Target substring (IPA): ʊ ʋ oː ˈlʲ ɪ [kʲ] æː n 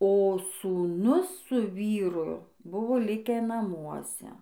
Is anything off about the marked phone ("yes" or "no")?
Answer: no